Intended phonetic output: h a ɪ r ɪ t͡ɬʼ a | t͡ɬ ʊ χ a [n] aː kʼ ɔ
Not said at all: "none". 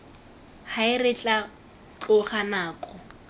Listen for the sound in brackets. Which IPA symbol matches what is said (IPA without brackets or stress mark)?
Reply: n